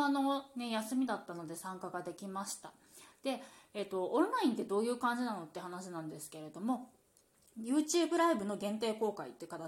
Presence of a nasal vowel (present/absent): present